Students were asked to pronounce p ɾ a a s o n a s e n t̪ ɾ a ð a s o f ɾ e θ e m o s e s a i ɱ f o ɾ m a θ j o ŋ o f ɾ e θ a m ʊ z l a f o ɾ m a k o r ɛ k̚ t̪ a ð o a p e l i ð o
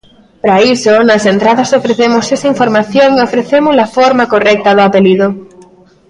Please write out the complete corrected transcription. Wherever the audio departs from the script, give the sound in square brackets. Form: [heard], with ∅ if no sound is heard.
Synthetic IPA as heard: p ɾ a [i] s o n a s e n t̪ ɾ a ð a s o f ɾ e θ e m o s e s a i ɱ f o ɾ m a θ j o ŋ o f ɾ e θ [e] m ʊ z l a f o ɾ m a k o r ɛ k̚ t̪ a ð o a p e l i ð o